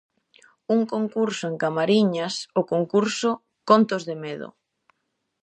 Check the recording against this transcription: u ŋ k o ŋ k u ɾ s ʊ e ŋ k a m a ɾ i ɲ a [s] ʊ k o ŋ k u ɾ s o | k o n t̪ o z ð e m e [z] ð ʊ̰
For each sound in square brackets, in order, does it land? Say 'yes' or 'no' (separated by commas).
yes, no